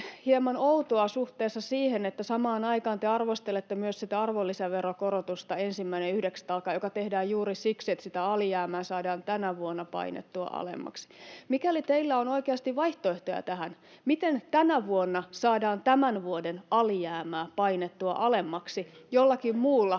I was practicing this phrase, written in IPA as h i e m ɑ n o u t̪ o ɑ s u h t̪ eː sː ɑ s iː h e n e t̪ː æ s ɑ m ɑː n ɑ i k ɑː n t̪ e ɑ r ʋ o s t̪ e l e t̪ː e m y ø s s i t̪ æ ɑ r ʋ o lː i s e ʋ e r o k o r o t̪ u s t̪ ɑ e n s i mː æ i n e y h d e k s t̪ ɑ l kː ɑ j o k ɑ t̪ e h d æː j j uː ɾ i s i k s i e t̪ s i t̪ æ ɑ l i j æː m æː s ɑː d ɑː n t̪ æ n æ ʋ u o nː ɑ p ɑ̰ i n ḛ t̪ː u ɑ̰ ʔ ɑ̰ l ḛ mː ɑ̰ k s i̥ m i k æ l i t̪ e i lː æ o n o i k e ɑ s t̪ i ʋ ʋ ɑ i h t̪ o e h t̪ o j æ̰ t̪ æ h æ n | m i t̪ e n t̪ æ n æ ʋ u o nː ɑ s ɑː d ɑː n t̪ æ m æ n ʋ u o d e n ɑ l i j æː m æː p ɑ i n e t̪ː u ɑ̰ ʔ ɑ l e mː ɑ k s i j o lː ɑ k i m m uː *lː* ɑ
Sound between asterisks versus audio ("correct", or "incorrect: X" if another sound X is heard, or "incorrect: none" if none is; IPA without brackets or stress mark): correct